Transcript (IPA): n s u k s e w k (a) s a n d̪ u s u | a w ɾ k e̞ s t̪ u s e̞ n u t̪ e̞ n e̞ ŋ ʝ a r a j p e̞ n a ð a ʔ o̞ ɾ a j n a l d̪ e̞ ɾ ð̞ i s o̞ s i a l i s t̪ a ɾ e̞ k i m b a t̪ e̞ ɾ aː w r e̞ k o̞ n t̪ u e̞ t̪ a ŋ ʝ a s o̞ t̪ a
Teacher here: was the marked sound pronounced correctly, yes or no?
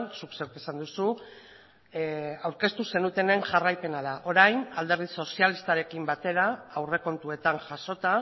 no